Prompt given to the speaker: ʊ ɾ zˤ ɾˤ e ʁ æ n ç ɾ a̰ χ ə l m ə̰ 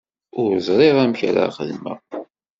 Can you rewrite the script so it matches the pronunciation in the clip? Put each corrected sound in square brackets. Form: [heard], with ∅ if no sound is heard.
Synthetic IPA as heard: ʊ ɾ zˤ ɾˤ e ʁ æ [m] ç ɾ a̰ χ ə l m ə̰